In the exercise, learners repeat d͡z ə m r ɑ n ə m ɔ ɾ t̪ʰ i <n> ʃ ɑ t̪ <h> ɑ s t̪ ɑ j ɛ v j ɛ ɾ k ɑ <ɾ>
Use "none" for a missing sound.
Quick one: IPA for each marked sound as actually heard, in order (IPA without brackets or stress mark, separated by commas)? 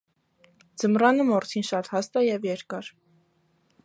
n, h, ɾ